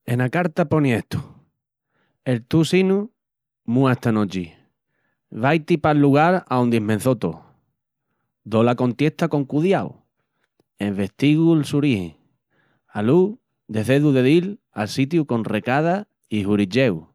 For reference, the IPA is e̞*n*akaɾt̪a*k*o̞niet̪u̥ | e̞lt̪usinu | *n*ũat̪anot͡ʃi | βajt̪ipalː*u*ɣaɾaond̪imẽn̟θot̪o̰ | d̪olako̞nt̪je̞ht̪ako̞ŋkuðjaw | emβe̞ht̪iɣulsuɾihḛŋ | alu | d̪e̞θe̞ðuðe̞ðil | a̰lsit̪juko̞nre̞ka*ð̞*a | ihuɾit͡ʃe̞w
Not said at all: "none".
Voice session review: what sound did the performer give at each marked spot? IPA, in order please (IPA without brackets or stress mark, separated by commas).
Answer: n, p, m, u, ð̞